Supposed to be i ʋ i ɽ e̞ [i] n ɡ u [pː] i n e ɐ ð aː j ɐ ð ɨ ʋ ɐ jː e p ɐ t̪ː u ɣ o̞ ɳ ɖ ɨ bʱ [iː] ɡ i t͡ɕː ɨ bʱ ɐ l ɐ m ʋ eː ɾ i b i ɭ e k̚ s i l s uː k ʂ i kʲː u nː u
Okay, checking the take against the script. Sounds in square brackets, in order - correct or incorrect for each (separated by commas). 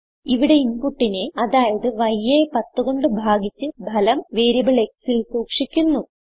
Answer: correct, incorrect, incorrect